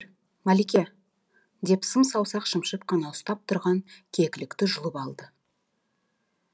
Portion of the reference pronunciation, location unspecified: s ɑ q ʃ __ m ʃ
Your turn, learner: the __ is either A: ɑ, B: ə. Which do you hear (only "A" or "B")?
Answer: B